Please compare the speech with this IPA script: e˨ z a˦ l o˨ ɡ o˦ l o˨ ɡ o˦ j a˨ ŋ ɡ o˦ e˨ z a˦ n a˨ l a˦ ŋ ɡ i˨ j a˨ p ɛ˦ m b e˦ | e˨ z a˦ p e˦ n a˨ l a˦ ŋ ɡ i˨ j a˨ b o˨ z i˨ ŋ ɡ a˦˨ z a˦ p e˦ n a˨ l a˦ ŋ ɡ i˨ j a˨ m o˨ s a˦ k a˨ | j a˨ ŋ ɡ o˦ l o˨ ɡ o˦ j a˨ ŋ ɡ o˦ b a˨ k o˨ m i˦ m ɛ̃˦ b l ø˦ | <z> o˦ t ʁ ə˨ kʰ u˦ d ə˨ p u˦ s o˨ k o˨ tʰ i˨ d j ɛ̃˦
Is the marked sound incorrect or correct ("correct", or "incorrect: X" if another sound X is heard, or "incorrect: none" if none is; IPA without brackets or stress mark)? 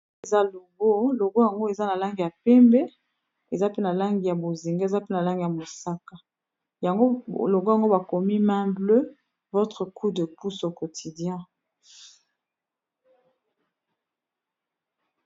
incorrect: v